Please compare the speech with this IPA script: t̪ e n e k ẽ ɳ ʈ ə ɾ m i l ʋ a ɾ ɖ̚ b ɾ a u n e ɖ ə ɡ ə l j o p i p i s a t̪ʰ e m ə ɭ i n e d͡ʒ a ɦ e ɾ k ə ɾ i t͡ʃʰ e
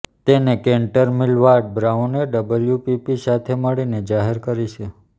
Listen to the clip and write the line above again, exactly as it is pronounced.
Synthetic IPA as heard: t̪ e n e k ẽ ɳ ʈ ə ɾ m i l ʋ a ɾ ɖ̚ b ɾ a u n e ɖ ə b ə l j u p i p i s a t̪ʰ e m ə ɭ i n e d͡ʒ a ɦ e ɾ k ə ɾ i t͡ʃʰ e